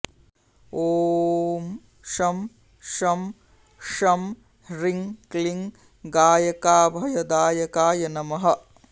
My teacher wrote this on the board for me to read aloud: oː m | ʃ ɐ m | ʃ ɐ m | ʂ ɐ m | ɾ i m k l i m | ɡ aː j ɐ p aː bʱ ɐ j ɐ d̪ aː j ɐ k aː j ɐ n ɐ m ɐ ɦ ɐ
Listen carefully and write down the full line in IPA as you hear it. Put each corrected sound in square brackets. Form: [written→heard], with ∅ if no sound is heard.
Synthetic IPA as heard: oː m | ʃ ɐ m | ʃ ɐ m | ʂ ɐ m | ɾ i [m→ŋ] k l i [m→ŋ] | ɡ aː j ɐ [p→k] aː bʱ ɐ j ɐ d̪ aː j ɐ k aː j ɐ n ɐ m ɐ ɦ ɐ